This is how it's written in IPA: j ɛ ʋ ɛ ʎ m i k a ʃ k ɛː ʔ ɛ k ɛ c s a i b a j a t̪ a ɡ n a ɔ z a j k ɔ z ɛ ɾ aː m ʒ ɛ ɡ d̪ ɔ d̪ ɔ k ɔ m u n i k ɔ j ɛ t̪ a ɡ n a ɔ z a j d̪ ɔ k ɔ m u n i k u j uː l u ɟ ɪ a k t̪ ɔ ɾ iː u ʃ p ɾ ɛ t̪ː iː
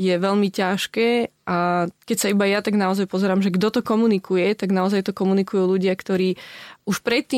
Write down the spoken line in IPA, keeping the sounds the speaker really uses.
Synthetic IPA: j ɛ ʋ ɛ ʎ m i c a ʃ k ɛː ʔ a k ɛ c s a i b a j a t̪ a ɡ n a ɔ z a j p ɔ z ɛ ɾ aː m ʒ ɛ ɡ d̪ ɔ t̪ ɔ k ɔ m u n i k u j ɛ t̪ a ɡ n a ɔ z a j t̪ ɔ k ɔ m u n i k u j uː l u ɟ ɪ a k t̪ ɔ ɾ iː u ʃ p ɾ ɛ t̪ː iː